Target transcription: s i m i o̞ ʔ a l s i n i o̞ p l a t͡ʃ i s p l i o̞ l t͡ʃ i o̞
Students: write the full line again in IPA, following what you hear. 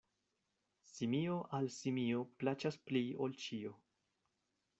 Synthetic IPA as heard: s i m i o̞ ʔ a l s i m i o̞ p l a t͡ʃ a s p l i o̞ l t͡ʃ i o̞

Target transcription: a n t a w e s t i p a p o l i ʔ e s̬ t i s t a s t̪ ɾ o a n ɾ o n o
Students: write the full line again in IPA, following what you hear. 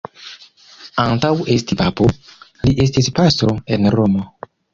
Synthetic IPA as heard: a n t a w e s t i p a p o l i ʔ e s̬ t i s p a s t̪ ɾ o e n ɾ o m o

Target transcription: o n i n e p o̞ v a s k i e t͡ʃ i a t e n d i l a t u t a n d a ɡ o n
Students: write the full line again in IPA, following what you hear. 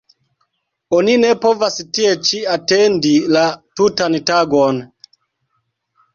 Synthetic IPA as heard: o n i n e p o̞ v a s t i e t͡ʃ i a t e n d i l a t u t a n t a ɡ o n

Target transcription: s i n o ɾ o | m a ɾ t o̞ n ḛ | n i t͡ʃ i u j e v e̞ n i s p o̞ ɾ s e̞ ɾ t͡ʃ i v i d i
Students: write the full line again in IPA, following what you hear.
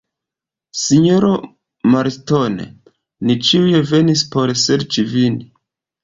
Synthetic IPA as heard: s i ɲ o ɾ o | m a ɾ t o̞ n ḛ | n i t͡ʃ i u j e v e̞ n i s p o̞ ɾ s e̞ ɾ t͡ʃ i v i n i

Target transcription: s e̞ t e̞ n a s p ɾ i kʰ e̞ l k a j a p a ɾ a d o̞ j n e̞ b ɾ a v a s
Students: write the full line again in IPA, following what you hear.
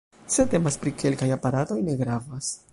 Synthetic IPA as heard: s e̞ t e̞ m a s p ɾ i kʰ e̞ l k a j a p a ɾ a t o̞ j n e̞ ɡ ɾ a v a s

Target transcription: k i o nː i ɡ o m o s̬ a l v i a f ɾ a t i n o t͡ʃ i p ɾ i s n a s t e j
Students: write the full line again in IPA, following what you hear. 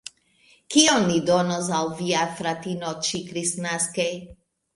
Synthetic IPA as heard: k i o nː i d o n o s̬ a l v i a f ɾ a t i n o t͡ʃ i k ɾ i s n a s k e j

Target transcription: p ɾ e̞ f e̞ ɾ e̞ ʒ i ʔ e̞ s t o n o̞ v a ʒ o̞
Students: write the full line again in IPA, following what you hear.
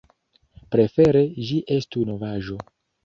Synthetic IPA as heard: p ɾ e̞ f e̞ ɾ e̞ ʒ i ʔ e̞ s t u n o̞ v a ʒ o̞

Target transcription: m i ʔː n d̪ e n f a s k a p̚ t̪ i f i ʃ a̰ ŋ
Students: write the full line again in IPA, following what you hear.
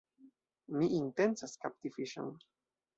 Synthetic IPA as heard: m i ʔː n t̪ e n s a s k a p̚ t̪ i f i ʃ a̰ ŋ

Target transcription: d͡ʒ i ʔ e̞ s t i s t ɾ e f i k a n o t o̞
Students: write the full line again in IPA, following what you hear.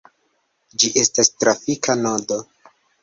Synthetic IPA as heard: d͡ʒ i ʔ e̞ s t a s t ɾ a f i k a n o d o̞

